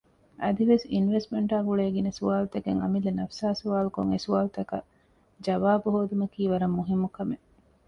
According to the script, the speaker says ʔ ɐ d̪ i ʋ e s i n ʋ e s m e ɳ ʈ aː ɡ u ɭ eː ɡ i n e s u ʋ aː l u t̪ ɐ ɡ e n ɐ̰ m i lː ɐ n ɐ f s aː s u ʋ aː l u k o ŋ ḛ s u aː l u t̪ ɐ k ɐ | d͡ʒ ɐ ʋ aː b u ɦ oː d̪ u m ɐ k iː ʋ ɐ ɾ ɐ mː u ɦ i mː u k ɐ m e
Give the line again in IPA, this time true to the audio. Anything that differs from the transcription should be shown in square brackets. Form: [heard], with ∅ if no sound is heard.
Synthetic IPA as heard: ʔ ɐ d̪ i ʋ e s i n ʋ e s m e ɳ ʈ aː ɡ u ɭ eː ɡ i n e s u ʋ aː l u t̪ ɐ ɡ e [ŋ] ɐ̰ m i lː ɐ n ɐ f s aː s u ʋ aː l u k o ŋ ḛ s u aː l u t̪ ɐ k ɐ | d͡ʒ ɐ ʋ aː b u ɦ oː d̪ u m ɐ k iː ʋ ɐ ɾ ɐ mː u ɦ i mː u k ɐ m e